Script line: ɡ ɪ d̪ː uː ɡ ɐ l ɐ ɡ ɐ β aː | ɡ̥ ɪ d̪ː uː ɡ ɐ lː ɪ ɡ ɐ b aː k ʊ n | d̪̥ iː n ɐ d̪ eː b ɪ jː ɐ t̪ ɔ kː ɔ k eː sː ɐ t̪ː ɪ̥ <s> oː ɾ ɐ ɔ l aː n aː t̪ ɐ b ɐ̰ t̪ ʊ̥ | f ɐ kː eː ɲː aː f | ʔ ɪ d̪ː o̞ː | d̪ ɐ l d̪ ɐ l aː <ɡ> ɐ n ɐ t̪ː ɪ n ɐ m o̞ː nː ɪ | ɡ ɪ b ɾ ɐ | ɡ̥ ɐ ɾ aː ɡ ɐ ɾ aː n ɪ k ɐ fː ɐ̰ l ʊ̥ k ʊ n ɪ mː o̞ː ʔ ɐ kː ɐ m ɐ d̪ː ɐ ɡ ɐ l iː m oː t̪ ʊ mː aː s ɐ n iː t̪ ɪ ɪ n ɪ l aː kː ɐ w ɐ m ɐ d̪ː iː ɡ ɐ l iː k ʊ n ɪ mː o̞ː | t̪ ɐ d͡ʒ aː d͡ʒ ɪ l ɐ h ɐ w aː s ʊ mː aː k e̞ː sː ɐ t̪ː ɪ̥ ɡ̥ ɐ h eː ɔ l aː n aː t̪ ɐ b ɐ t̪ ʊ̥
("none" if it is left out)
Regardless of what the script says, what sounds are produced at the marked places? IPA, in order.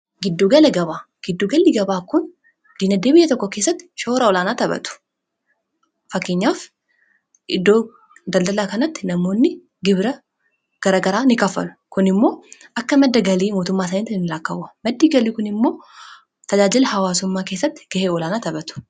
ʃ, k

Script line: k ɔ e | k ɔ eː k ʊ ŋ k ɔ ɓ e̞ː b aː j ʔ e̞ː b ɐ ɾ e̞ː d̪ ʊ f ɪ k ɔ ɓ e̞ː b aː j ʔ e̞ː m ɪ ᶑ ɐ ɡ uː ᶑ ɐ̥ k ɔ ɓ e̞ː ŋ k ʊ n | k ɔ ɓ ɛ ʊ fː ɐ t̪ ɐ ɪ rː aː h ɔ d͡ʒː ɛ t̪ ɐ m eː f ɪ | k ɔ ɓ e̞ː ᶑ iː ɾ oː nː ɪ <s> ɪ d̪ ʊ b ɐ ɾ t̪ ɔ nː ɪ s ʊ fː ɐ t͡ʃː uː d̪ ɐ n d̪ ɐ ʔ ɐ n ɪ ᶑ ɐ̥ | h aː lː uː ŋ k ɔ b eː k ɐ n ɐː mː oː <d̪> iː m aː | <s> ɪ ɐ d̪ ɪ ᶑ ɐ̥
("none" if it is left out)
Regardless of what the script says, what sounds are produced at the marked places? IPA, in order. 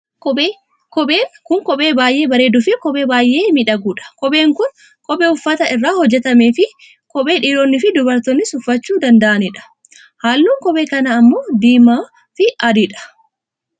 f, d̪, f

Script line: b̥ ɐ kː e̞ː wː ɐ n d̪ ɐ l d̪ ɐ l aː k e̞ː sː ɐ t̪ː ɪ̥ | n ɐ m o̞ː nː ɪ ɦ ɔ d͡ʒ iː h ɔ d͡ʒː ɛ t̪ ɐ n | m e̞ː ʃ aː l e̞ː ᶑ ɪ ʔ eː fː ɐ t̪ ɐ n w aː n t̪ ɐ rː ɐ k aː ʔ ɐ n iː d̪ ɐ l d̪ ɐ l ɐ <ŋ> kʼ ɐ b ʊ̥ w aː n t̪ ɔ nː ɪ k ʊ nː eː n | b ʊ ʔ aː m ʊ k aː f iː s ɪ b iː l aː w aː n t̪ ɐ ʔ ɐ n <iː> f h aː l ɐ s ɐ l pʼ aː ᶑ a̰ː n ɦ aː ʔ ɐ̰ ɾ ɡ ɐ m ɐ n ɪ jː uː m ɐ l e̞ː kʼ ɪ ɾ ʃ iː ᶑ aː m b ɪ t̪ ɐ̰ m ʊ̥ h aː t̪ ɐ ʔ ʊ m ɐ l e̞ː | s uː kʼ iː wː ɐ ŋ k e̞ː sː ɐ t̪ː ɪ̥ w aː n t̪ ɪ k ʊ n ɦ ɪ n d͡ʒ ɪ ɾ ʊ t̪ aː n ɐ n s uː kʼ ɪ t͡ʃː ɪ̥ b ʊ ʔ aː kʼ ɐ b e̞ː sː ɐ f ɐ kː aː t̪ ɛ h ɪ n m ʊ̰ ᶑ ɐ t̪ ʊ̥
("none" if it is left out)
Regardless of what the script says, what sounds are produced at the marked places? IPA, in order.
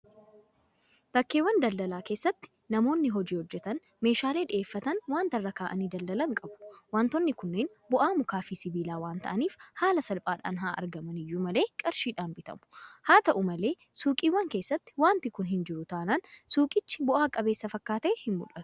ŋ, iː

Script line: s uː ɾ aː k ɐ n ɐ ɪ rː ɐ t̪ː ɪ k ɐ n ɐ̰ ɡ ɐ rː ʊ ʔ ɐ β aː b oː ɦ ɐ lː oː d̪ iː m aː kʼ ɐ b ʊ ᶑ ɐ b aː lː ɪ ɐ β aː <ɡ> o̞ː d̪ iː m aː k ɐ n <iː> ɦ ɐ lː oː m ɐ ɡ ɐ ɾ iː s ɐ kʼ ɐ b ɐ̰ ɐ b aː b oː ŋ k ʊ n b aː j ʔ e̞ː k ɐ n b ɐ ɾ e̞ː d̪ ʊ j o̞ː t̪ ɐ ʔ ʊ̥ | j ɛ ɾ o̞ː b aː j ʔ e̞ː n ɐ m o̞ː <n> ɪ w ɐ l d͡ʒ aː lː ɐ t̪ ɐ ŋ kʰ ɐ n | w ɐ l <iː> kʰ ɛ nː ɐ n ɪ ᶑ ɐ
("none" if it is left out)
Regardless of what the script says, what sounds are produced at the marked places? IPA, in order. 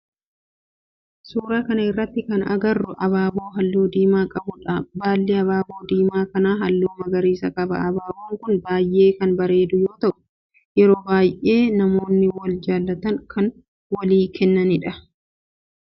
b, aː, nː, iː

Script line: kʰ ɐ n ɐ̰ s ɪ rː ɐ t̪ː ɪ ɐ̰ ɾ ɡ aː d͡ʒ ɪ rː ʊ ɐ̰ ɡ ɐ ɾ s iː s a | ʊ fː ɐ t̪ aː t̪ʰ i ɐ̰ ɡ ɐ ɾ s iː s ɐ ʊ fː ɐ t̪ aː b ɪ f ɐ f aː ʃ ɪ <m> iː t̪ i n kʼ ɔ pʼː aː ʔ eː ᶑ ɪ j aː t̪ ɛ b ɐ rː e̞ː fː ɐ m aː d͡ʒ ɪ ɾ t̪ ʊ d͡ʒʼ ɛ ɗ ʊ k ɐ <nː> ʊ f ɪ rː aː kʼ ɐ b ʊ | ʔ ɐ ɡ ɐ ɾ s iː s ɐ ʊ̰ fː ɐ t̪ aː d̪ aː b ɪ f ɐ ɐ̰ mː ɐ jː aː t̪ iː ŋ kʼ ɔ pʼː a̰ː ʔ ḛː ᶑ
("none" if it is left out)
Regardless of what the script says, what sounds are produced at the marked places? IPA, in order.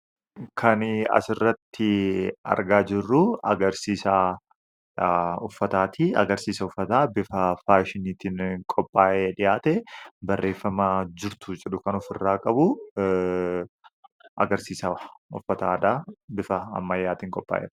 n, n

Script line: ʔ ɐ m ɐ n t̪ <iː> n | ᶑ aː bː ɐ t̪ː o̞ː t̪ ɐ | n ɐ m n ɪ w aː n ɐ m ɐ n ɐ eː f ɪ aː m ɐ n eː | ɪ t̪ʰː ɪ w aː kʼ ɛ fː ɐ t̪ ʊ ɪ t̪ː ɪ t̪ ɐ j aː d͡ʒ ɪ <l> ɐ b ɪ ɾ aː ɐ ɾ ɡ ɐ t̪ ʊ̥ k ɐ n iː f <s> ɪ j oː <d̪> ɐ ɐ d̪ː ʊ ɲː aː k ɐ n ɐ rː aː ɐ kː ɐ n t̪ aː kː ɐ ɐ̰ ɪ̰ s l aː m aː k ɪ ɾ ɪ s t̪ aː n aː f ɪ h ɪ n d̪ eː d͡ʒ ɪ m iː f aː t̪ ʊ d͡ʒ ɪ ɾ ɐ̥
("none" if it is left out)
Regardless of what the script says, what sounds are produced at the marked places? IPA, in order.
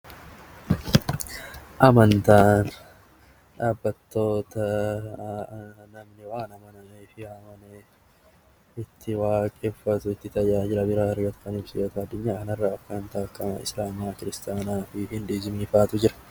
aː, ɾ, s, t̪

